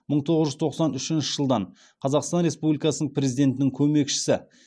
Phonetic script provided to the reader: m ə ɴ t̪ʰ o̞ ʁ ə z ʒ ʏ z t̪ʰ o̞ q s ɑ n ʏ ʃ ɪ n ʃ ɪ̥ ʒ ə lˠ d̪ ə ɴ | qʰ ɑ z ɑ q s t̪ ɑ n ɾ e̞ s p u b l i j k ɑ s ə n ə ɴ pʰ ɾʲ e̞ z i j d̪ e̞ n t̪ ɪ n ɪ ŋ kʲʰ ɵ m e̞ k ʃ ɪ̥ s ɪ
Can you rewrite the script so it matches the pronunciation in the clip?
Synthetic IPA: m ə ɴ t̪ʰ o̞ ʁ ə z ʒ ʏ z t̪ʰ o̞ q s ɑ n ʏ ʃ ɪ n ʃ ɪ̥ ʒ ə lˠ d̪ ɑ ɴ | qʰ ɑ z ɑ q s t̪ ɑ n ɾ e̞ s p u b l i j k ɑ s ə n ə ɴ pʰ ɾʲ e̞ z i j d̪ e̞ n t̪ ɪ n ɪ ŋ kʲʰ ɵ m e̞ k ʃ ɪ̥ s ɪ